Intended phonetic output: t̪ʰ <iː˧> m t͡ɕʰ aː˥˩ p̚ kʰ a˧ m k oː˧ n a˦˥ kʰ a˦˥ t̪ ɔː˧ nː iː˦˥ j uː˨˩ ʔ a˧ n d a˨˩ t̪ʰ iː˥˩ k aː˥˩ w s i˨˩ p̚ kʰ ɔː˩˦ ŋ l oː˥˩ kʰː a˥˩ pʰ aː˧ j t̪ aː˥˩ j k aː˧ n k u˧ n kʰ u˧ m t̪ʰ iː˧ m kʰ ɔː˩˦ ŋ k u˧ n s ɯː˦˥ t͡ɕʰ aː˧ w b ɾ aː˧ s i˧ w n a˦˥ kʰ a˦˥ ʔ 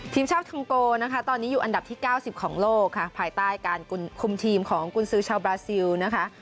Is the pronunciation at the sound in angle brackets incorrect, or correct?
correct